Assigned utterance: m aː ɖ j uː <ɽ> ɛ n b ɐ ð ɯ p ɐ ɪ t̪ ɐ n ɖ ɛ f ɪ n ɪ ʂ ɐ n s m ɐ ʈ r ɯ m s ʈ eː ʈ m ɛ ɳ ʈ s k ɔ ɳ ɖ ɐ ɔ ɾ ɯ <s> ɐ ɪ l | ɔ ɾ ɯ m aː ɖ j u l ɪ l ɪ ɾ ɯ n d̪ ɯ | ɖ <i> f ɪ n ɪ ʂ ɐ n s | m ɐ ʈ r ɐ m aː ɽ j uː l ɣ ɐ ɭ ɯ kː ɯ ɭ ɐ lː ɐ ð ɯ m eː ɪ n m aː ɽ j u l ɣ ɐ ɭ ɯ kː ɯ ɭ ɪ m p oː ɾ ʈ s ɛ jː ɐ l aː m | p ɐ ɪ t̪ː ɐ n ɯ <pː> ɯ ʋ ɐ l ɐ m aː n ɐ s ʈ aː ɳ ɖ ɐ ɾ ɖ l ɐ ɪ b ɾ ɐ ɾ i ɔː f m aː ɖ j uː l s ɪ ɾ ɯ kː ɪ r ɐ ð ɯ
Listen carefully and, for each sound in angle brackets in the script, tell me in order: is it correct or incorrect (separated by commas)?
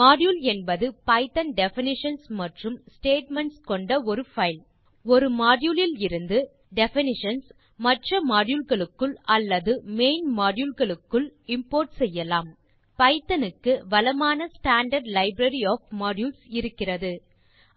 incorrect, incorrect, incorrect, incorrect